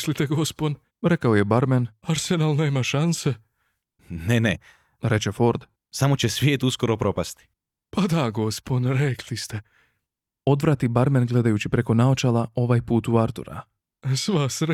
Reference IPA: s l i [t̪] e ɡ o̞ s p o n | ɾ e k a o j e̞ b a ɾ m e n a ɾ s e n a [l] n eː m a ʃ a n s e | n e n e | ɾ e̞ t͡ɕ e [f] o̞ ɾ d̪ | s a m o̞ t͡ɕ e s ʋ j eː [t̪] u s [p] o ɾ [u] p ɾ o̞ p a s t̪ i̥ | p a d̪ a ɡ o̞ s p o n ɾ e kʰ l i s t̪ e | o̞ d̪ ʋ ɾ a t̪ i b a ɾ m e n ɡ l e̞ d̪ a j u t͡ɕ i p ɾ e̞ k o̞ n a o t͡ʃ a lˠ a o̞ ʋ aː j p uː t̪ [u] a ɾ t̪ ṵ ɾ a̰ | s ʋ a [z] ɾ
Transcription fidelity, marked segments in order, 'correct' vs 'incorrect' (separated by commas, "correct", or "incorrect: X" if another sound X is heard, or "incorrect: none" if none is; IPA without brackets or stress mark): correct, correct, correct, correct, incorrect: k, incorrect: o, correct, incorrect: s